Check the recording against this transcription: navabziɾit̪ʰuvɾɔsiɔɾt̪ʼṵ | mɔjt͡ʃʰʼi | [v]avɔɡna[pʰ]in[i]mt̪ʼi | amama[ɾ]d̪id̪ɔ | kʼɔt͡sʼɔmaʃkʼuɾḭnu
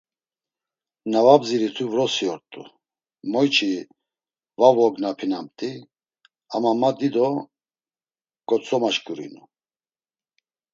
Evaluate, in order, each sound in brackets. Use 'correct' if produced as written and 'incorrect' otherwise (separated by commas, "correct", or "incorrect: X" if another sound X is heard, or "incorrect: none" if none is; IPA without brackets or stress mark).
correct, correct, incorrect: a, incorrect: none